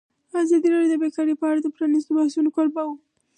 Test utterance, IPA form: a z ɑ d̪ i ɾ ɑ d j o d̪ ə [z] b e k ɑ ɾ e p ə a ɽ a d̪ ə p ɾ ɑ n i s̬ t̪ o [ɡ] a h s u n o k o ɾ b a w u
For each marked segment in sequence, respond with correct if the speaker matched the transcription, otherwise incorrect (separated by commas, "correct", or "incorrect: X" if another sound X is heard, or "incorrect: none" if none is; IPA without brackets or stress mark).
incorrect: none, incorrect: b